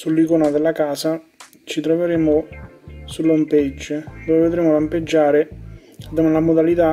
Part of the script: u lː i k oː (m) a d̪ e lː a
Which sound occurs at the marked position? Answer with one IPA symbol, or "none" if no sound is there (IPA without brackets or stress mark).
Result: n